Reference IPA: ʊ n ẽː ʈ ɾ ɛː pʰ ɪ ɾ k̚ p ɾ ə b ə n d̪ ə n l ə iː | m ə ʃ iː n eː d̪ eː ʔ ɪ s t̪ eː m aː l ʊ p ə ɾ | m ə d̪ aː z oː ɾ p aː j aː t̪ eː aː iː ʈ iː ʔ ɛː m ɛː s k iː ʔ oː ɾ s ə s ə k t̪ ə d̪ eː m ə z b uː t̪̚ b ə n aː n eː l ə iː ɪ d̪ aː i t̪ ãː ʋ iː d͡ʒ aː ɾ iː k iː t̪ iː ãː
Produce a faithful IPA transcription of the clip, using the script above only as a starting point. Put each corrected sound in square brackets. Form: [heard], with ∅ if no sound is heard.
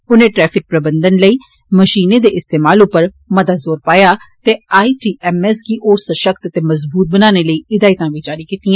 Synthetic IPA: ʊ n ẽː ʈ ɾ ɛː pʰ ɪ [∅] k̚ p ɾ ə b ə n d̪ ə n l ə iː | m ə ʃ iː n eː d̪ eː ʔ ɪ s t̪ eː m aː l ʊ p ə ɾ | m ə d̪ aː z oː ɾ p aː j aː t̪ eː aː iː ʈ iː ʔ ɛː m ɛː s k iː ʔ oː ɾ s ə [ʃ] ə k t̪ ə [t̪] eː m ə z b uː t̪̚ b ə n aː n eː l ə iː ɪ d̪ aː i t̪ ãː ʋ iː d͡ʒ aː ɾ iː k iː t̪ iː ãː